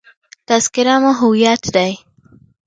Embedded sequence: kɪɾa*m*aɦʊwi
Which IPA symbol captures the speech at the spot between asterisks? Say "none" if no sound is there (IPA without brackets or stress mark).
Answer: m